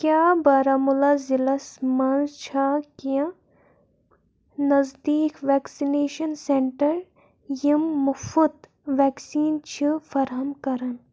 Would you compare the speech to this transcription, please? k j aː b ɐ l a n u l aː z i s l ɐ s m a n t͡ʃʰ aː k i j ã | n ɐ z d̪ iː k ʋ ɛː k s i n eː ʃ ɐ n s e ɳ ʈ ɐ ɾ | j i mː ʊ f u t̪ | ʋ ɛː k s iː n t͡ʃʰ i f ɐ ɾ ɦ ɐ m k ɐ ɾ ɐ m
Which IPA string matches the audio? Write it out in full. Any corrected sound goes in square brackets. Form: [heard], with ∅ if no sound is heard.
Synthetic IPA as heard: k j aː b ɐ [ɾ] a [m] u l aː z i [∅] l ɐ s m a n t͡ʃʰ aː k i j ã | n ɐ z d̪ iː k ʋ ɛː k s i n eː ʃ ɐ n s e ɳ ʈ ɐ ɾ | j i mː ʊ f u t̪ | ʋ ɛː k s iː n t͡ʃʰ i f ɐ ɾ ɦ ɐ m k ɐ ɾ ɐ [n]